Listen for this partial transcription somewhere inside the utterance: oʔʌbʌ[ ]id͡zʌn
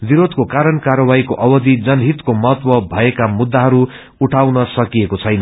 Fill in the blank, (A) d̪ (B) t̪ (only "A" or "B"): A